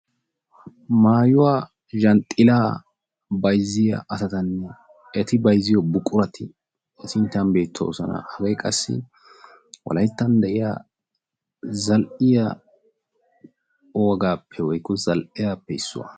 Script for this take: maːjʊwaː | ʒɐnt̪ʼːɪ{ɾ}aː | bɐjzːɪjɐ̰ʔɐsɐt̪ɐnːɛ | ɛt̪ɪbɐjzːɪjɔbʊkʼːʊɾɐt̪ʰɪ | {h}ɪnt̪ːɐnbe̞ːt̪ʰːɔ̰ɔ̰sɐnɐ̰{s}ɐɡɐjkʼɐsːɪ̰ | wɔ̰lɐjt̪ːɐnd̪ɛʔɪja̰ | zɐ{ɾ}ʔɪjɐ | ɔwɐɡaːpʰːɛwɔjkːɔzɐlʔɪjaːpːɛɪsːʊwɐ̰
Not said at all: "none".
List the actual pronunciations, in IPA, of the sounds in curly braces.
l, s, h, l

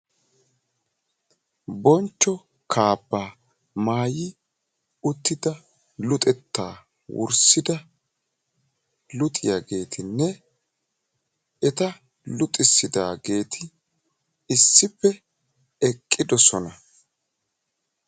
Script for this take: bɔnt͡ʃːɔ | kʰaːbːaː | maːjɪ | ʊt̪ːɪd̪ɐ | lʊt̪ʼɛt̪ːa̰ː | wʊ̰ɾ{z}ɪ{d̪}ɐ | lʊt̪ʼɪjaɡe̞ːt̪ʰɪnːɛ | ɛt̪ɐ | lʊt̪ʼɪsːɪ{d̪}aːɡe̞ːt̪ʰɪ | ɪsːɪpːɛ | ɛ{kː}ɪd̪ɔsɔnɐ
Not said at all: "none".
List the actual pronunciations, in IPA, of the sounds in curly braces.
s, d̪, d̪, kʼː

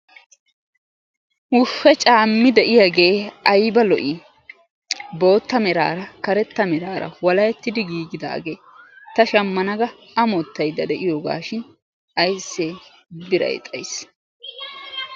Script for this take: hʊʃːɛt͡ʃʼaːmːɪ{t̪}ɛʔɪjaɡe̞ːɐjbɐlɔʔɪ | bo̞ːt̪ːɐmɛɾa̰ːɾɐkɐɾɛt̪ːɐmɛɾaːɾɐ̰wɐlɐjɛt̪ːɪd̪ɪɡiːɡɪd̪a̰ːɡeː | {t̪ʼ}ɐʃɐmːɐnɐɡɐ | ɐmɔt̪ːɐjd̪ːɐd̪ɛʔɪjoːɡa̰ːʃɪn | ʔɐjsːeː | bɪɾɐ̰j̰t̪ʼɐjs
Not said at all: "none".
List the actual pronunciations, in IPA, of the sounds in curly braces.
d̪, t̪

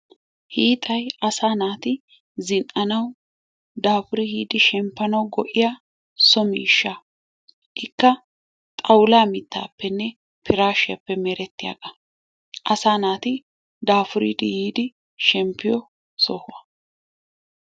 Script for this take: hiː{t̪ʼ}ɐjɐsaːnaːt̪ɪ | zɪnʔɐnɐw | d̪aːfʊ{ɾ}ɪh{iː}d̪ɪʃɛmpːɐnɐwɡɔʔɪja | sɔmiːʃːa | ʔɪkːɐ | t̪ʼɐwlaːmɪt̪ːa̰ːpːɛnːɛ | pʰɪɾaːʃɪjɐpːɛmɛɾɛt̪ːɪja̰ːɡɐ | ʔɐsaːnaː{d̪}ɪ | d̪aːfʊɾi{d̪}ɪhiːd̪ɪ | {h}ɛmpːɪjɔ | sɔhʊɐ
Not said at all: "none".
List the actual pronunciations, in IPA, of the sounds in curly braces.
t̪ʼ, ɾ, iː, t̪, d̪, ʃ

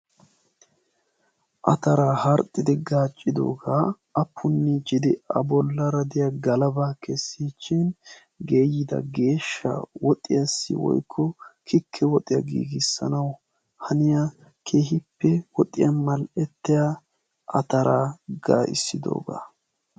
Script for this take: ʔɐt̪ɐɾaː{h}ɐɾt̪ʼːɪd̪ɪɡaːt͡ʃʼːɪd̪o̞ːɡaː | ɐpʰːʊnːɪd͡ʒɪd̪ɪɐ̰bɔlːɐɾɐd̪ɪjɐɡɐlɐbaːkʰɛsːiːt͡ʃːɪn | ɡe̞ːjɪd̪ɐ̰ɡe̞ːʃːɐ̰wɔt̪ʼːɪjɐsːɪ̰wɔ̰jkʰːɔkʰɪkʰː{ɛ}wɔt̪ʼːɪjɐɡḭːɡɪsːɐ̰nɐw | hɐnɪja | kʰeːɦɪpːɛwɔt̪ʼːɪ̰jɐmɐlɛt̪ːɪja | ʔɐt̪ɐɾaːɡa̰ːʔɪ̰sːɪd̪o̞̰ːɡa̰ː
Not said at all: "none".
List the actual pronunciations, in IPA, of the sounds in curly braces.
h, ɛ

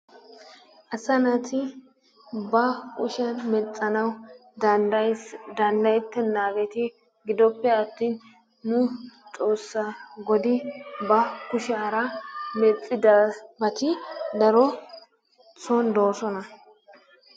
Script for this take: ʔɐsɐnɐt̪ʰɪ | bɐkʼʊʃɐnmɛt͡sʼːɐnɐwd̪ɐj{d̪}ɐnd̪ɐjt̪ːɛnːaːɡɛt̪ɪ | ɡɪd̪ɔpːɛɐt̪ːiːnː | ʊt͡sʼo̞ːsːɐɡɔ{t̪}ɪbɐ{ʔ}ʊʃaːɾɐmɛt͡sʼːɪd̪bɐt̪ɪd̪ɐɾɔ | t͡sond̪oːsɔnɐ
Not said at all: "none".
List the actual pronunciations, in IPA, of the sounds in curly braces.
d̪, d̪, k

